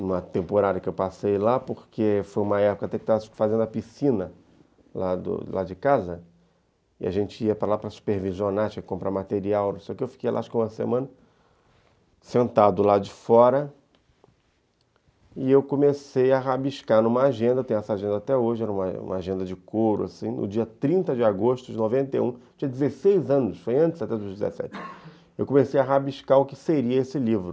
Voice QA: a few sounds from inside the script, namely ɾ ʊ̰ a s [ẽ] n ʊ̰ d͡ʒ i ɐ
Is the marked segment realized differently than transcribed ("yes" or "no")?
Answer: yes